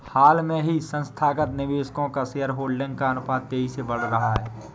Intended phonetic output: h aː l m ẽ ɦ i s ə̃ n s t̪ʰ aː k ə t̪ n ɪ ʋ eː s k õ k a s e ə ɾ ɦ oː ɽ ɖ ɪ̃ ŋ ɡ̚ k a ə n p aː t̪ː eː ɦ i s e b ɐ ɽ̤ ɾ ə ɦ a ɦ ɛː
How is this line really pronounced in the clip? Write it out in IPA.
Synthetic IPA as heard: h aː l m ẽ ɦ i s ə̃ n s t̪ʰ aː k ə t̪ n ɪ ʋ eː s k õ k a s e ə ɾ ɦ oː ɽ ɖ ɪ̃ ŋ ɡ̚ k a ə n p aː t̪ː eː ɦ i s e b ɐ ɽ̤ ɾ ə ɦ a ɦ ɛː